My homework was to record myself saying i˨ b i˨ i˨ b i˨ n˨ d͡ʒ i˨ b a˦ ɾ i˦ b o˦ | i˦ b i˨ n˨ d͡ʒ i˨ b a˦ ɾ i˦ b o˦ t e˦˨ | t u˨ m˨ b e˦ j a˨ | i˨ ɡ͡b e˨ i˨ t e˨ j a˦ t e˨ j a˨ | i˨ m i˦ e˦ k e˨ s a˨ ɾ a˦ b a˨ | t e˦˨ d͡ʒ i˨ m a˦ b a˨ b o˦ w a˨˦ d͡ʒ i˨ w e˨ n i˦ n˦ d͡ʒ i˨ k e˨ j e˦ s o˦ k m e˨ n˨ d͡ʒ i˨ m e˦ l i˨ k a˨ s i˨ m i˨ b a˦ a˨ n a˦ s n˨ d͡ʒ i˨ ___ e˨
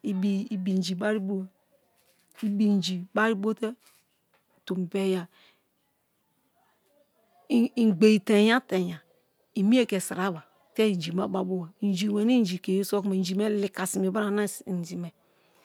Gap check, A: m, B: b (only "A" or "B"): A